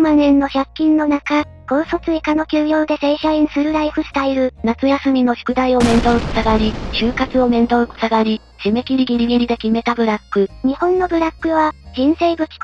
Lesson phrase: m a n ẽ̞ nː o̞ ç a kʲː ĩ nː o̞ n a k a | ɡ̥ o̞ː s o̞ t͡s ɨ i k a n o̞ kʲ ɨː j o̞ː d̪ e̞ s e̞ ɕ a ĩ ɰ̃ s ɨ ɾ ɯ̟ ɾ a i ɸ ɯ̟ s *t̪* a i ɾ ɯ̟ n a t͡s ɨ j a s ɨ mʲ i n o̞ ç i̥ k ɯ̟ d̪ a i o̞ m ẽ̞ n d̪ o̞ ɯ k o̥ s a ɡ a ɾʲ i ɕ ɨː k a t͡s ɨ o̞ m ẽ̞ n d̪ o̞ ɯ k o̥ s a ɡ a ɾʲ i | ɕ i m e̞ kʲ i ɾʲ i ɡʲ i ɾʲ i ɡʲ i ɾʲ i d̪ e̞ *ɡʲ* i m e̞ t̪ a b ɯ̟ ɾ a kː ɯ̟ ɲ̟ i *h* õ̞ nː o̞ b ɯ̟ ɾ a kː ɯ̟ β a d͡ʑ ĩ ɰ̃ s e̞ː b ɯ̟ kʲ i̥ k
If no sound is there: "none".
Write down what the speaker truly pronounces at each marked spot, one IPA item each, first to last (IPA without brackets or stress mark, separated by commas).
t̪, kʲ, h